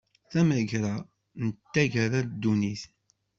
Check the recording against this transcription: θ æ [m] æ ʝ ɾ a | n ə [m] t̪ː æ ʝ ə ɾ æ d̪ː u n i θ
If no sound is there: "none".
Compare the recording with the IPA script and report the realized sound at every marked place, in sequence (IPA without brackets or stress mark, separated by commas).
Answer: m, none